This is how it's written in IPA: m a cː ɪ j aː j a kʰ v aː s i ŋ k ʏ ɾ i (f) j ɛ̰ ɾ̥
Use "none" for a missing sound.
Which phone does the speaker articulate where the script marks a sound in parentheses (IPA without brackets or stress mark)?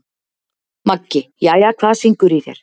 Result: θ